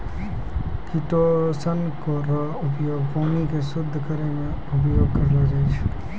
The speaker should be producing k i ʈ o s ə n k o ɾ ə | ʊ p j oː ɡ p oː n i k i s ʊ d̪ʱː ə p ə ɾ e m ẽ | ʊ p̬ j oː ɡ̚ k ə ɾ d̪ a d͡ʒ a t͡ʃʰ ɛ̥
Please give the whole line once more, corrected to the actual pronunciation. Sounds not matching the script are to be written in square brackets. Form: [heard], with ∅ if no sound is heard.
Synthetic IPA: k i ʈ o s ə n k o ɾ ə | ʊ p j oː ɡ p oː n i k [e] s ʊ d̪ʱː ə [k] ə ɾ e m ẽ | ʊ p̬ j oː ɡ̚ k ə ɾ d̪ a d͡ʒ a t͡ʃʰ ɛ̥